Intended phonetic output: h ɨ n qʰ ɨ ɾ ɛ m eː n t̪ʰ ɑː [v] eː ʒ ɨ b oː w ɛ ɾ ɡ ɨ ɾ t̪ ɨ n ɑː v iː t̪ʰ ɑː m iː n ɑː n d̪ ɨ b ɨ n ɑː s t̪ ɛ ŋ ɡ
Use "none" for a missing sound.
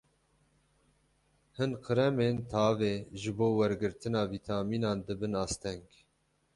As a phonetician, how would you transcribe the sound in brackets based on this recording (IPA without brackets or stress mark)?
v